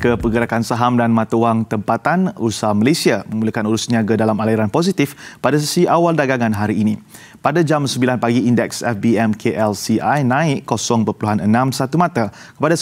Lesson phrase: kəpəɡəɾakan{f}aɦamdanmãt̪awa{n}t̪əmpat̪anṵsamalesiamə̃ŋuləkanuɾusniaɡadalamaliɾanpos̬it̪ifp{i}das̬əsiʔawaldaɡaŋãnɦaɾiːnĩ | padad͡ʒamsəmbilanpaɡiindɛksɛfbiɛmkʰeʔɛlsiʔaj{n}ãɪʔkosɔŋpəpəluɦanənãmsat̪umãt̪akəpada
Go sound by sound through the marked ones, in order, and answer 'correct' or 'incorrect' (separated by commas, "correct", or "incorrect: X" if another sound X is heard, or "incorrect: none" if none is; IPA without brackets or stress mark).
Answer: incorrect: s, incorrect: ŋ, incorrect: a, correct